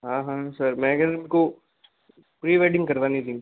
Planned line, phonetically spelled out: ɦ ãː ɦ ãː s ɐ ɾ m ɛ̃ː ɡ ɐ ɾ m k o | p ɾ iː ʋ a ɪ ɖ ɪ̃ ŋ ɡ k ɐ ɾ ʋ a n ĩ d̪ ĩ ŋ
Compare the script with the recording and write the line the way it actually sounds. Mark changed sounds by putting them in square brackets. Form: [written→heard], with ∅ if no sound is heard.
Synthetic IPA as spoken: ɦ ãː ɦ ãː s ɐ ɾ m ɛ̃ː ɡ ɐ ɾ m k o | p ɾ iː ʋ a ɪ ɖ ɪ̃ ŋ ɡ k ɐ ɾ ʋ a n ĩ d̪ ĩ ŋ